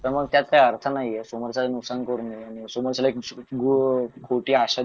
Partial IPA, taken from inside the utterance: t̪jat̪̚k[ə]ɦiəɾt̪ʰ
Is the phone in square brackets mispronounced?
yes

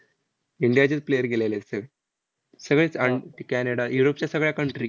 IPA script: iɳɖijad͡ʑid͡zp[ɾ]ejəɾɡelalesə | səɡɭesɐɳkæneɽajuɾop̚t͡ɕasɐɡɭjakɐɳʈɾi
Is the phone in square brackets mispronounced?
yes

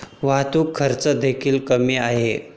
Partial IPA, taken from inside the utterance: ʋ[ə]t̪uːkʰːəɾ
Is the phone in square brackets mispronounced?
yes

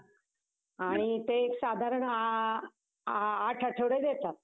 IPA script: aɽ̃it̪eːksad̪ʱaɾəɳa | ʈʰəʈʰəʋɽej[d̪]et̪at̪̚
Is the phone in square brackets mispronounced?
no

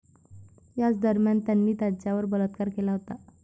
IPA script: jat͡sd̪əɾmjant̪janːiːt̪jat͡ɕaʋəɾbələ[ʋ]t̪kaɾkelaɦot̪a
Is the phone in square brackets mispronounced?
yes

